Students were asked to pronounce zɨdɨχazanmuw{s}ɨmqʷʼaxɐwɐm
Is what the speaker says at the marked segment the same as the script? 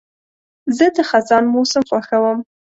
yes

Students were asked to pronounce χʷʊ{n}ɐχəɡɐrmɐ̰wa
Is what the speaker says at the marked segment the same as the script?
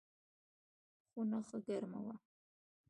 yes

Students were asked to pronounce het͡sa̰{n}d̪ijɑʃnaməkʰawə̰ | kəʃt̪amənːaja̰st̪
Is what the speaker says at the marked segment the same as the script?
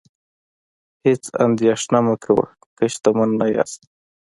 yes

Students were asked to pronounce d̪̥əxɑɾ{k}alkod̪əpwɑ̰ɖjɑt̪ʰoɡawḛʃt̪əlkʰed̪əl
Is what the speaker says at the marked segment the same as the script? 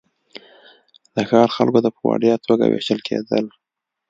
no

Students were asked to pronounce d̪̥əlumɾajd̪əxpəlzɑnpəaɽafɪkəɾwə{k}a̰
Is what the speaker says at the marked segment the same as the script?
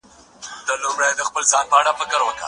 yes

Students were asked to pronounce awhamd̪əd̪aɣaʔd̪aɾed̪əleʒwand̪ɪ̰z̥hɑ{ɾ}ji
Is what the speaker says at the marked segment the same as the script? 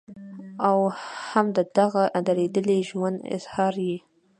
yes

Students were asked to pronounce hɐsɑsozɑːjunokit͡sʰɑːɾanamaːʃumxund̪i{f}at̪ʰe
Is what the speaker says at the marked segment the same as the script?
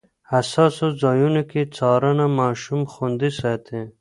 no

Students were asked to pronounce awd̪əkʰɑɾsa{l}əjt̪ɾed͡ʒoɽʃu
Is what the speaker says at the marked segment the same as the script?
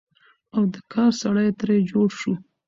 no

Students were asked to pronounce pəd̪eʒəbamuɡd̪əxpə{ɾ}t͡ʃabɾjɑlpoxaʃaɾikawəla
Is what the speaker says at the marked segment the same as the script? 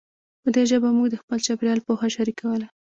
no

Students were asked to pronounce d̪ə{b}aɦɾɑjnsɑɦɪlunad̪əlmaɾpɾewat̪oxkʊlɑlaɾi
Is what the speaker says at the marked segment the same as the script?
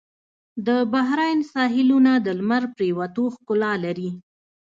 yes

